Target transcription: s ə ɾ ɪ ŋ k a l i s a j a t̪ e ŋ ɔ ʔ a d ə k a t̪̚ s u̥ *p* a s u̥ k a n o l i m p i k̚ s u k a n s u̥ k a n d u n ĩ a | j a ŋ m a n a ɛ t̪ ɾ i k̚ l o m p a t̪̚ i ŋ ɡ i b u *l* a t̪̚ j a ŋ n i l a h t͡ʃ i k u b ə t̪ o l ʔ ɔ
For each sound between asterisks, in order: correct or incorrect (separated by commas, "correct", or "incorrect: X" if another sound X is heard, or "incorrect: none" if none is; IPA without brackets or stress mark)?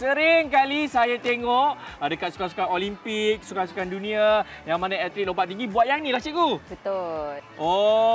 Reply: incorrect: k, incorrect: none